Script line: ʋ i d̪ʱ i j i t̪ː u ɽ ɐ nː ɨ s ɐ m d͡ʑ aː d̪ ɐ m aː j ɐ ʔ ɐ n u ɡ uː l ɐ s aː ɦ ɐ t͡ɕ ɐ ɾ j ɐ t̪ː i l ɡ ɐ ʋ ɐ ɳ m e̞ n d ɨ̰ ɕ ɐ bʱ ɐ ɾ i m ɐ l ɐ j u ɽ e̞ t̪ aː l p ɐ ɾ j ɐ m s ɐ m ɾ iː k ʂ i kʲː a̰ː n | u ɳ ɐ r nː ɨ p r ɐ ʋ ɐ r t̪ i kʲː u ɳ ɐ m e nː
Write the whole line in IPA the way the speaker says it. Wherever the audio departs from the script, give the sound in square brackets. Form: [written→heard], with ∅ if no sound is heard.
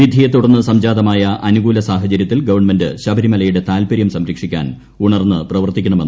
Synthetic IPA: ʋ i d̪ʱ i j [i→e] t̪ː u ɽ ɐ nː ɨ s ɐ m d͡ʑ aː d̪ ɐ m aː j ɐ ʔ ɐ n u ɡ uː l ɐ s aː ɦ ɐ t͡ɕ ɐ ɾ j ɐ t̪ː i l ɡ ɐ ʋ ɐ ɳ m e̞ n d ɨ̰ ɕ ɐ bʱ ɐ ɾ i m ɐ l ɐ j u ɽ e̞ t̪ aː l p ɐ ɾ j ɐ m s ɐ m ɾ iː k ʂ i kʲː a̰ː n | u ɳ ɐ r nː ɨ p r ɐ ʋ ɐ r t̪ i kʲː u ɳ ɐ m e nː